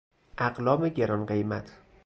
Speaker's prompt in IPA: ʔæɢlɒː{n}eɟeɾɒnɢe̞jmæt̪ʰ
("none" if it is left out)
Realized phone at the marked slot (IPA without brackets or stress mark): m